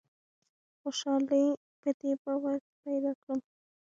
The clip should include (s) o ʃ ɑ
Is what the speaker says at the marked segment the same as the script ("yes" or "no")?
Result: no